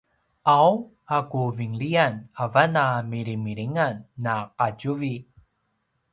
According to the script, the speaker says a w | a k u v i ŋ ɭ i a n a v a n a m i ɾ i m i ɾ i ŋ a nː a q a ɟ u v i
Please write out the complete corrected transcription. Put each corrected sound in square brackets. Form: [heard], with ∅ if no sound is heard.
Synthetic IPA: a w | a k u v i ŋ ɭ i a n a v a n a m i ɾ i m i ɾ i ŋ a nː a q a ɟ u v i